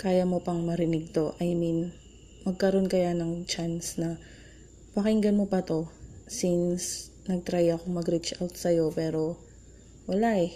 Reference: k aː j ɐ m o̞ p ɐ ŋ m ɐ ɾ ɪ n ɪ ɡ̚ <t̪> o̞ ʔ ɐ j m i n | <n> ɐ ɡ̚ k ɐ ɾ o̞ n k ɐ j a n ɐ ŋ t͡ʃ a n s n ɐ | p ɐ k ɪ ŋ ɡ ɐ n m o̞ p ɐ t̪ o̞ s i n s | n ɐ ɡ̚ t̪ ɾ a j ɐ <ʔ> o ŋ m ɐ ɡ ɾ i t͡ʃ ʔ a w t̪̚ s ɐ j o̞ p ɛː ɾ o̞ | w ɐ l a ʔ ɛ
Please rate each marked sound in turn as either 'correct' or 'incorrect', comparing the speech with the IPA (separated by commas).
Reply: correct, incorrect, incorrect